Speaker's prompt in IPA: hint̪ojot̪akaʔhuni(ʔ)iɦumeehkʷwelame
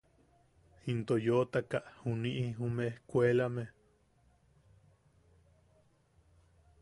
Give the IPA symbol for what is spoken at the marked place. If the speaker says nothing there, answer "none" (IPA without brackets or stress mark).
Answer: ʔ